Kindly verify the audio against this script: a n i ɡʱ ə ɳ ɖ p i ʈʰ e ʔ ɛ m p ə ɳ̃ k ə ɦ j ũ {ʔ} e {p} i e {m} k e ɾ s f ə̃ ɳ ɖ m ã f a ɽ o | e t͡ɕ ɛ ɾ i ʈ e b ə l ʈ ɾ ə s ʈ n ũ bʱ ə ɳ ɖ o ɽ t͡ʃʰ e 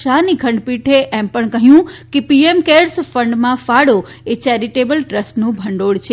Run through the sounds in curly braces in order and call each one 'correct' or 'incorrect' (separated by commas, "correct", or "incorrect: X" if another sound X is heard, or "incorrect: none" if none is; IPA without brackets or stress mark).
incorrect: k, correct, correct